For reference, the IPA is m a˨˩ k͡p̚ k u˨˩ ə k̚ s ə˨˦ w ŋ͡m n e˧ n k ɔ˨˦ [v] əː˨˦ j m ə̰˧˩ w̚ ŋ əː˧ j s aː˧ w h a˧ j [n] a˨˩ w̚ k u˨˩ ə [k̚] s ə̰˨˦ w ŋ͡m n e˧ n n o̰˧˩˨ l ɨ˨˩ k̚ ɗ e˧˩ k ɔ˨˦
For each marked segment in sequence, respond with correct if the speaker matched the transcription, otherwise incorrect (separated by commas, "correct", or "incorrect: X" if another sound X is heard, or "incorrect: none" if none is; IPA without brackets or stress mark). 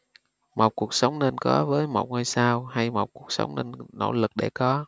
correct, incorrect: m, correct